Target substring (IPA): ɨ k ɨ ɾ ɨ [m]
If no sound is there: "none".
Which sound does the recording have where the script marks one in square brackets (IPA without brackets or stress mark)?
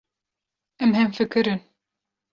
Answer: n